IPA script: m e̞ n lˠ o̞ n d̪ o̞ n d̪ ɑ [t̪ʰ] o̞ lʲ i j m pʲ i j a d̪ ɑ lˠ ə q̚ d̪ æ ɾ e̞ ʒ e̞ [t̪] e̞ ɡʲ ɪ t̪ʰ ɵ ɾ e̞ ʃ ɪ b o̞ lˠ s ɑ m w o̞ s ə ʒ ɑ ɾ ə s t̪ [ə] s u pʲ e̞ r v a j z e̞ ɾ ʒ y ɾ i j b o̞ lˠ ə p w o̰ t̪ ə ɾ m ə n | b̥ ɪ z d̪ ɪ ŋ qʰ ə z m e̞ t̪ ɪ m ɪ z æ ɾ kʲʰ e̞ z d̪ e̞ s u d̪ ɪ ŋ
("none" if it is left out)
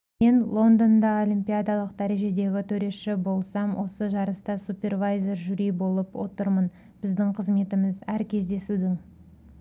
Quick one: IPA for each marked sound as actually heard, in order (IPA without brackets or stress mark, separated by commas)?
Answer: none, d̪, ɑ